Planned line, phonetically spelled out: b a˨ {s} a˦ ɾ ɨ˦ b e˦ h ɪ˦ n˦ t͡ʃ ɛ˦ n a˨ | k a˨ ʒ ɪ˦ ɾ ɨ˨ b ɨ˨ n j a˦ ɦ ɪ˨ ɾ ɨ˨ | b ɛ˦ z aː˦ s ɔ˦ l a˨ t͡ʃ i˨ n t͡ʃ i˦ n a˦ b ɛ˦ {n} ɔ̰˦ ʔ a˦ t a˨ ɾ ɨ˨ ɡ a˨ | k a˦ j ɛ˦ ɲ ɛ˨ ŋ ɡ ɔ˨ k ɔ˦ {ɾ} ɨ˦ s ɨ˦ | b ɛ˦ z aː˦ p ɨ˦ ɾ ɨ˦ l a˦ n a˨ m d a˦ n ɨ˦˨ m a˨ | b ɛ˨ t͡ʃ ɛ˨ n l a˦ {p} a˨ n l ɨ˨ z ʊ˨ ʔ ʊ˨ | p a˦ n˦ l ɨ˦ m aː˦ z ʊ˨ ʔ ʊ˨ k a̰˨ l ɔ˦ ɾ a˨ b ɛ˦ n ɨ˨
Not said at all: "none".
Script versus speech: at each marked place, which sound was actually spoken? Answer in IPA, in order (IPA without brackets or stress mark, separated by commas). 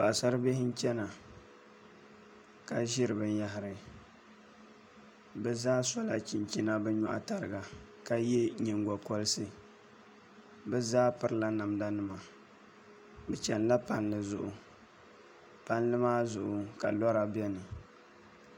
s, ɲ, l, p